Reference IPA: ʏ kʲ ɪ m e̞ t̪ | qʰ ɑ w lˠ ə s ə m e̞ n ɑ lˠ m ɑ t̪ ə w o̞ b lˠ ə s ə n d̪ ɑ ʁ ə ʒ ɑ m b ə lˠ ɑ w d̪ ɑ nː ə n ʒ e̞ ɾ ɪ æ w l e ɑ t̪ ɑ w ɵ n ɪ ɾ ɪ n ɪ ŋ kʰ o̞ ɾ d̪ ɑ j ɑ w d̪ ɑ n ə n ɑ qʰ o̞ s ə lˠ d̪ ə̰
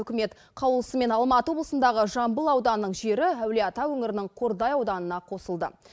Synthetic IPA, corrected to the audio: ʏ kʲ ɪ m e̞ t̪ | qʰ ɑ w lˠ ə s ə m e̞ n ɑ lˠ m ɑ t̪ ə w o̞ b lˠ ə s ə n d̪ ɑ ʁ ə ʒ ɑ m b ə lˠ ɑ w d̪ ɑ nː ə ɴ ʒ e̞ ɾ ɪ æ w l e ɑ t̪ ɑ w ɵ ŋ ɪ ɾ ɪ n ɪ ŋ qʰ o̞ ɾ d̪ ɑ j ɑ w d̪ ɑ n ə n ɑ qʰ o̞ s ə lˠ d̪ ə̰